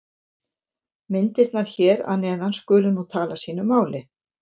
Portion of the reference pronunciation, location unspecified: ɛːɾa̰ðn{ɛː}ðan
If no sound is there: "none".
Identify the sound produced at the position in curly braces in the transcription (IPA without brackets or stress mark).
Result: ɛː